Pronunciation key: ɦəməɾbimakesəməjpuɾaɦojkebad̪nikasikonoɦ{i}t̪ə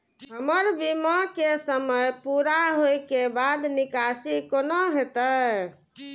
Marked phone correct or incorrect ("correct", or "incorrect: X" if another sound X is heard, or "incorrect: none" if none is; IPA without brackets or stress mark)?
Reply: incorrect: e